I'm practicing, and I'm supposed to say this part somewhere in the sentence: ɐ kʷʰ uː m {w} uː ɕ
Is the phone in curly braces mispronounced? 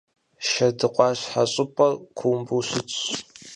yes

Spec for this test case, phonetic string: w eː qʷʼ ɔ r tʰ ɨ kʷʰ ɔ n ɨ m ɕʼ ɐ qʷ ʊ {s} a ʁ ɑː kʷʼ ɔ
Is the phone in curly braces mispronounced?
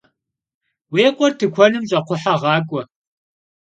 yes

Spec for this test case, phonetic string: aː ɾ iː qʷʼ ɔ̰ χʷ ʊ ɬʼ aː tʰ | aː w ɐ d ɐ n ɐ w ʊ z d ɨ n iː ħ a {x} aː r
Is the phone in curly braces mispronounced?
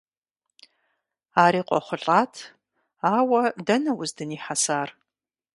yes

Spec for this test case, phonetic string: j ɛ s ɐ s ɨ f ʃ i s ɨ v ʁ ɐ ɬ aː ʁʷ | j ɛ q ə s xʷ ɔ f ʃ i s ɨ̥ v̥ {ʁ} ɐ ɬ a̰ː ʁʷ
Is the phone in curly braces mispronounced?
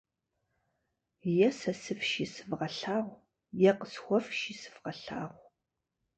no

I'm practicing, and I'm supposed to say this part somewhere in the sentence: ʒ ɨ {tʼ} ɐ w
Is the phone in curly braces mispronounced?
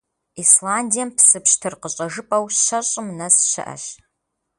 yes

